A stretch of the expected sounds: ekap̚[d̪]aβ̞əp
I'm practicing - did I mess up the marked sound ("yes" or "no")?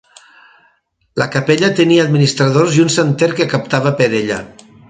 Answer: yes